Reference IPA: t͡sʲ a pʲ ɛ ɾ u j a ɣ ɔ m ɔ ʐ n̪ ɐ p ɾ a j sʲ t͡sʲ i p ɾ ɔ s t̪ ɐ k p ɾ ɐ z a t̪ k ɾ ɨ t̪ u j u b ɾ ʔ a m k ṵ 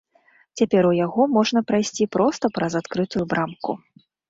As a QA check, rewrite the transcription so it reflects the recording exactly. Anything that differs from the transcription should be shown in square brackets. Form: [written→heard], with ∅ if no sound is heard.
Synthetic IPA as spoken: t͡sʲ a pʲ ɛ ɾ u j a ɣ ɔ m ɔ ʐ n̪ ɐ p ɾ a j sʲ t͡sʲ i p ɾ ɔ s t̪ ɐ [k→∅] p ɾ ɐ z a t̪ k ɾ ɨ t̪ u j u b ɾ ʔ a m k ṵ